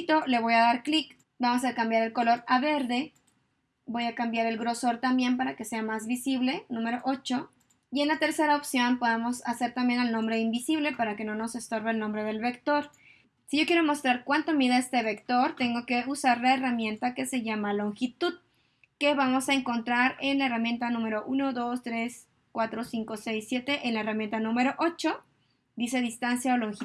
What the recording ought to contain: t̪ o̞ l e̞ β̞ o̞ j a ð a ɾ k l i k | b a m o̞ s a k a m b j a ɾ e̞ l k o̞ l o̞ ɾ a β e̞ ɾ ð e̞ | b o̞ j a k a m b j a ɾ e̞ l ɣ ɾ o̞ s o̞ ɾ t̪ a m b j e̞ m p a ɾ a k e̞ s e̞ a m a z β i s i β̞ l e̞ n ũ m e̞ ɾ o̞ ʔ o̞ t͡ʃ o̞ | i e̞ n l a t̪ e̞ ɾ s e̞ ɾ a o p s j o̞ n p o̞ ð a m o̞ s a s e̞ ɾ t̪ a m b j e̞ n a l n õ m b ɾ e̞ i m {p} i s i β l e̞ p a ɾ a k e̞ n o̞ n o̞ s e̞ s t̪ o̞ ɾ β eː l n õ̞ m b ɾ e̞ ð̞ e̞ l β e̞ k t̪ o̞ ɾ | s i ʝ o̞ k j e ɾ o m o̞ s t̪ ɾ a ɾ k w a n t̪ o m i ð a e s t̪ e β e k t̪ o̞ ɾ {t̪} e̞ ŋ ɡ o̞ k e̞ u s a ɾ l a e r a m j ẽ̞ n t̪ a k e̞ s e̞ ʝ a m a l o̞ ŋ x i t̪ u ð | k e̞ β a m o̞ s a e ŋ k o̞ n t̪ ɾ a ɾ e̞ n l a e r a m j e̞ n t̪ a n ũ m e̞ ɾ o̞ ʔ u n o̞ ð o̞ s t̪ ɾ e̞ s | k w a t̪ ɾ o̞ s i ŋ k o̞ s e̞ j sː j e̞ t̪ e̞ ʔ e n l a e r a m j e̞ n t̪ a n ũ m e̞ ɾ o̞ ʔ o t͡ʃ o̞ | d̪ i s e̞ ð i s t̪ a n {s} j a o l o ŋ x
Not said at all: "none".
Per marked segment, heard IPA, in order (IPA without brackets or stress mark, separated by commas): b, t̪, s